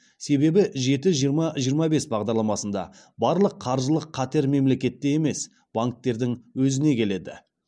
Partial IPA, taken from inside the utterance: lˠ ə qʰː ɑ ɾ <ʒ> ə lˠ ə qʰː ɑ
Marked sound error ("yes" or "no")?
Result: no